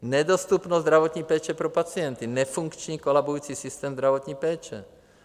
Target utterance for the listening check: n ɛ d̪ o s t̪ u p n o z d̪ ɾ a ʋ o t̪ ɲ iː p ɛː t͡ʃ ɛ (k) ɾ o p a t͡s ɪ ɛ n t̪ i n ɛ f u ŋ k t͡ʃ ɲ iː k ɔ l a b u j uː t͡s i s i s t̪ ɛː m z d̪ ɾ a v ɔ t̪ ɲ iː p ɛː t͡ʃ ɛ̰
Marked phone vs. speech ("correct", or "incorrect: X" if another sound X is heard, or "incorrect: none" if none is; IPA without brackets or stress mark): incorrect: p